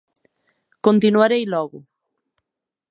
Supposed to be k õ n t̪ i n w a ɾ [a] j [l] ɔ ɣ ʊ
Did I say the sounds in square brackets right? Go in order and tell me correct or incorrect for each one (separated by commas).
incorrect, correct